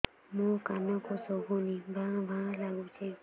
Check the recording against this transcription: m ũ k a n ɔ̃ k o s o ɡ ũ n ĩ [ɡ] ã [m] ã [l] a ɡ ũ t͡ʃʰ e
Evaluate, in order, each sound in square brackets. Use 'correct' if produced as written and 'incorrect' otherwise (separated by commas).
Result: incorrect, incorrect, correct